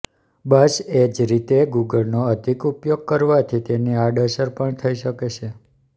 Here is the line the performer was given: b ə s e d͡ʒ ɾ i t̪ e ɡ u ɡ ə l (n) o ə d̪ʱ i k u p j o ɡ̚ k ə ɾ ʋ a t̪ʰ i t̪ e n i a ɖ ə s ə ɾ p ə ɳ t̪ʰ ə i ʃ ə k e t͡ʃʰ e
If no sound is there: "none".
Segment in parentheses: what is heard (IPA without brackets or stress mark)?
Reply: n